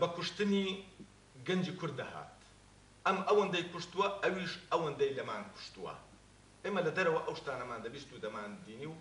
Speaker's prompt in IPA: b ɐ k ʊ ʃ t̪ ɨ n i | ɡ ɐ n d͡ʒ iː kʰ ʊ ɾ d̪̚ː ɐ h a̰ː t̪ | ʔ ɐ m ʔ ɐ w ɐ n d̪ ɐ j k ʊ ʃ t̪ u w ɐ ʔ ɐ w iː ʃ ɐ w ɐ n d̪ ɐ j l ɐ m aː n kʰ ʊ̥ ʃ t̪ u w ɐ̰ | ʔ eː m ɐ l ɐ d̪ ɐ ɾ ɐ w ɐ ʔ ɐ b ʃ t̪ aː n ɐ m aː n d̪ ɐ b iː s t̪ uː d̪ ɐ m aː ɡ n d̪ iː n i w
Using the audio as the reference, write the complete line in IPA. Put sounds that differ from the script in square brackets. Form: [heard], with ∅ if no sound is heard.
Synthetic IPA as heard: b ɐ k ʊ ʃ t̪ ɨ n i | ɡ ɐ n d͡ʒ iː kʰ ʊ ɾ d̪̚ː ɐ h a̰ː t̪ | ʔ ɐ m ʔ ɐ w ɐ n d̪ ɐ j k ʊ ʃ t̪ u w ɐ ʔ ɐ w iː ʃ ɐ w ɐ n d̪ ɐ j l ɐ m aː n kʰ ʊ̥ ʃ t̪ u w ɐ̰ | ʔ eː m ɐ l ɐ d̪ ɐ ɾ ɐ w ɐ ʔ ɐ [w] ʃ t̪ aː n ɐ m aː n d̪ ɐ b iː s t̪ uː d̪ ɐ m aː [∅] n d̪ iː n i w